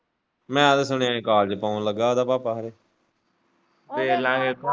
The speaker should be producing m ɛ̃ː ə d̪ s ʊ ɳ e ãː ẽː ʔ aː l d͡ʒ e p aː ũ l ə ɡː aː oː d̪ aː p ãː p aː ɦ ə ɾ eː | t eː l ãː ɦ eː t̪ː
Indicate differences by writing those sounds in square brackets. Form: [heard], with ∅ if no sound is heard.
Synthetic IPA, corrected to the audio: m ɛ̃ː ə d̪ s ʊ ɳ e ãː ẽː [k] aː l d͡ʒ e p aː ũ l ə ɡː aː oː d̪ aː p [aː] p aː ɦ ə ɾ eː | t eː l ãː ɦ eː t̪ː